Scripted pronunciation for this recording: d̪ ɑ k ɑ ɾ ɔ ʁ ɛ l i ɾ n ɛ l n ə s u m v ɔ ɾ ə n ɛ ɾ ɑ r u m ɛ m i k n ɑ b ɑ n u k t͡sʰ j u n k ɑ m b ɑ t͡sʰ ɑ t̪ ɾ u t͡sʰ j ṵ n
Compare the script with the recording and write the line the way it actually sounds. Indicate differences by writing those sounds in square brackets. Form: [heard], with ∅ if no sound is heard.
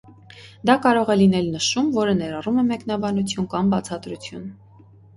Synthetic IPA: d̪ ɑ k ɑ ɾ ɔ ʁ ɛ l i [∅] n ɛ l n ə [ʃ] u m v ɔ ɾ ə n ɛ ɾ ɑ r u m ɛ m [ɛ] k n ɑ b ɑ n u [∅] t͡sʰ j u n k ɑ m b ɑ t͡sʰ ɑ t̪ ɾ u t͡sʰ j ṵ n